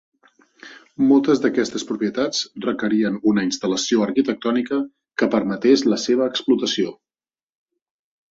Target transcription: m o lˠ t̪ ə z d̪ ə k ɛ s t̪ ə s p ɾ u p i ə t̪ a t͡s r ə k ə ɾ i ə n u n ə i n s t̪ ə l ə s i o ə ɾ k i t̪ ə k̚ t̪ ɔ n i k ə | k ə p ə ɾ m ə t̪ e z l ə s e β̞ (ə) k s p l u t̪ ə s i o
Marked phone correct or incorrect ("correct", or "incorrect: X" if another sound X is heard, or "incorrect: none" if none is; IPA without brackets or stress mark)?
incorrect: əː